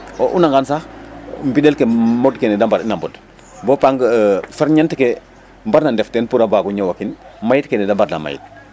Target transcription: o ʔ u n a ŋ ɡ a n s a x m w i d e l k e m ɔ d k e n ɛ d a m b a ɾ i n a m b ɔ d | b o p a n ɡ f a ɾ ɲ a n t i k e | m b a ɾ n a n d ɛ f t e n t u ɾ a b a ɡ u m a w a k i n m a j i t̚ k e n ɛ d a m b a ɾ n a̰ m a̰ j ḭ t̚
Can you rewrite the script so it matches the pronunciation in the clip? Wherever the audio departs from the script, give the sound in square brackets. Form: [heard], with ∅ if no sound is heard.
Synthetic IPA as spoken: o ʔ u n a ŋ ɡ a n s a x m [b] i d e l k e m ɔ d k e n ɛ d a m b a ɾ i n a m b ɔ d | b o p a [ŋ] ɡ f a ɾ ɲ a n t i k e | m b a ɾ n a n d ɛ f t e n [p] u ɾ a b a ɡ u [ɲ] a w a k i n m a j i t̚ k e n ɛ d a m b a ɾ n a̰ m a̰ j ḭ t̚